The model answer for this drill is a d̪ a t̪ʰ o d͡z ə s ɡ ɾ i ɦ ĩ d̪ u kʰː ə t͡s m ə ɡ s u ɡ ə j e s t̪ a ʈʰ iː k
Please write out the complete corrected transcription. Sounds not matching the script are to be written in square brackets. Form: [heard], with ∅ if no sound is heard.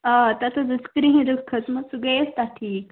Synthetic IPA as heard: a [t̪] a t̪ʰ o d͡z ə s [k] ɾ i ɦ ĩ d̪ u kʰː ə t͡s m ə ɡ s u ɡ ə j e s t̪ a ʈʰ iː k